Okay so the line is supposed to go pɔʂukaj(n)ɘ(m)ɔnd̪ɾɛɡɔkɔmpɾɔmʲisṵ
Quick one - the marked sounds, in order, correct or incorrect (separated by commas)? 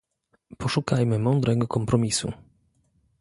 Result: incorrect, correct